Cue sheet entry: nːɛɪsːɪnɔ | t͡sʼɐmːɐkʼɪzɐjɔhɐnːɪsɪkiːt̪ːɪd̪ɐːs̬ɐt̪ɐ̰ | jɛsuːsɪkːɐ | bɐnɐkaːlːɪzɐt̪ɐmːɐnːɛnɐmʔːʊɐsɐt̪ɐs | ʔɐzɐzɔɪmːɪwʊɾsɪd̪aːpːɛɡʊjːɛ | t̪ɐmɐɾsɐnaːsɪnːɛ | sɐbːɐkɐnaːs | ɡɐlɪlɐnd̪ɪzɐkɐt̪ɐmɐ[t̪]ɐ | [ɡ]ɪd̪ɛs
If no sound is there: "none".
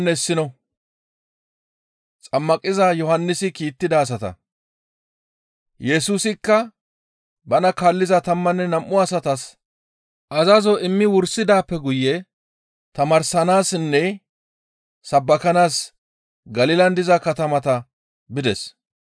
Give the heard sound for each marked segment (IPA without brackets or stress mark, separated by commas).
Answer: t̪, b